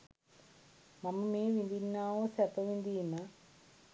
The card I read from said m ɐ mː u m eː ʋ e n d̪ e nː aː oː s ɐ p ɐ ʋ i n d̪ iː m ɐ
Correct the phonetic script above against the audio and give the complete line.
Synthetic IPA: m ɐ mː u m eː ʋ i n d̪ i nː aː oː s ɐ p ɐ ʋ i n d̪ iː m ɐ